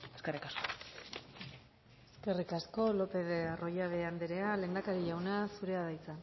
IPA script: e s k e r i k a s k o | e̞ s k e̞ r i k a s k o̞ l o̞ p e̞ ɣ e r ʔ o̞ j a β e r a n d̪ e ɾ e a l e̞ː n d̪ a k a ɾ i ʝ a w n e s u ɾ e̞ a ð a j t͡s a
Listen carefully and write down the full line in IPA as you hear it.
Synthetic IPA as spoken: e s k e r i k a s k o | e̞ s k e̞ r i k a s k o̞ l o̞ p e̞ ð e r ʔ o̞ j a β e a n d̪ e ɾ e a l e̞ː n d̪ a k a ɾ i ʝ a w n a s u ɾ e̞ a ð a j t͡s a